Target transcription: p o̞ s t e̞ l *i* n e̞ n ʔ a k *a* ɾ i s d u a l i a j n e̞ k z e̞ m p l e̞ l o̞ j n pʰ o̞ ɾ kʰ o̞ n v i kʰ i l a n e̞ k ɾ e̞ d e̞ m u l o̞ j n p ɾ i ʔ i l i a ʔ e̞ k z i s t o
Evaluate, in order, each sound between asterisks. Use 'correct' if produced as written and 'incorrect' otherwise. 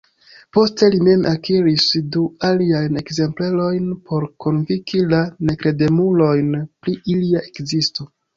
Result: correct, incorrect: i

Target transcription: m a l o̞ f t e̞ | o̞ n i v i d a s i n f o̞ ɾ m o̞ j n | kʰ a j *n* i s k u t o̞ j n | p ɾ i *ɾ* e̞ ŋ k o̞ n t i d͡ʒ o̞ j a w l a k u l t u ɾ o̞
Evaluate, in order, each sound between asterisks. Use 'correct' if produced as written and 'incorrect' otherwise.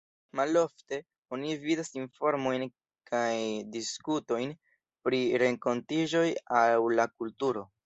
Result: incorrect: d, correct

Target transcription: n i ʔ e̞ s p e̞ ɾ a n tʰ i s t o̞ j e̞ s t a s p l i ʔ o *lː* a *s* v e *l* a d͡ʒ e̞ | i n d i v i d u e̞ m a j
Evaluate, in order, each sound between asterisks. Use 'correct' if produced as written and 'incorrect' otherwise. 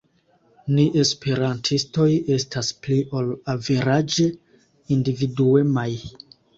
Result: incorrect: l, incorrect: none, incorrect: ɾ

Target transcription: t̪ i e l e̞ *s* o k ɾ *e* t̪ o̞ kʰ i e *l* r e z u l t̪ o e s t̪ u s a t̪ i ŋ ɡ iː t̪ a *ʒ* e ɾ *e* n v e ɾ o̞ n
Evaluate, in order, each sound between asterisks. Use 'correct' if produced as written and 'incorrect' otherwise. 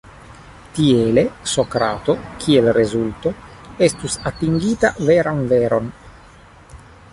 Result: correct, incorrect: a, correct, incorrect: v, incorrect: a

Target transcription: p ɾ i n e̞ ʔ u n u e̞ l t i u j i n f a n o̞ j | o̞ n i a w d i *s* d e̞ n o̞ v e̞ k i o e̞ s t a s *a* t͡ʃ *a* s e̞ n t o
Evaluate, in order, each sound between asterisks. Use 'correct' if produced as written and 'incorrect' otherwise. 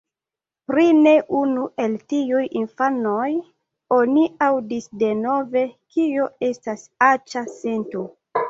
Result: correct, correct, correct

